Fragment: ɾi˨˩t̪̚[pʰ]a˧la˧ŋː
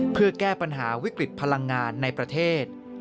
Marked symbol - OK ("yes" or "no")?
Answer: yes